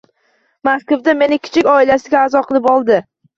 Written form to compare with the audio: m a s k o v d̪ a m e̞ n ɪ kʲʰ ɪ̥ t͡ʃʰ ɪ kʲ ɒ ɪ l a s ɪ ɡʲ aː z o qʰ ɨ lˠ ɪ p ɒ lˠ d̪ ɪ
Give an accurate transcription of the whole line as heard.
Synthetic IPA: m a s k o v d̪ a m e̞ n ɪ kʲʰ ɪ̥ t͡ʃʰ ɪ kʲ ɒ ɪ l a s ɪ ɡʲ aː z ɒ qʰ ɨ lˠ ɪ p ɒ lˠ d̪ ɪ